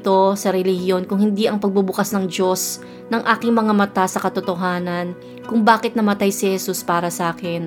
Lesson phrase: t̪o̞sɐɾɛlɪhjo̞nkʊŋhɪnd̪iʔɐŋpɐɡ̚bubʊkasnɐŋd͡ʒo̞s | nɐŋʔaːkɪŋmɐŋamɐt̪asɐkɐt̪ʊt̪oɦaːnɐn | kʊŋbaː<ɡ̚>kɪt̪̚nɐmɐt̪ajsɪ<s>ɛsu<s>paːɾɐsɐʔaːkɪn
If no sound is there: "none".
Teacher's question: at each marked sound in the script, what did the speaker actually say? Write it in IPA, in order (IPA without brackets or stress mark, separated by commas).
none, h, s